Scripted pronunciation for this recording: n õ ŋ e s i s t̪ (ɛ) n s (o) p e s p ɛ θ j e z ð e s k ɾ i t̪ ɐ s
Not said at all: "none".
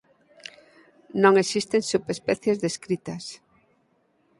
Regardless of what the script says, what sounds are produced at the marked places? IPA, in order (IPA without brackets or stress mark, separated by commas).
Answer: e, u